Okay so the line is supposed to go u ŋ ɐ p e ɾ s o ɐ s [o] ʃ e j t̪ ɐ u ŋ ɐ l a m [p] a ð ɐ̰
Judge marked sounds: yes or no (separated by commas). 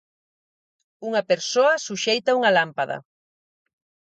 no, yes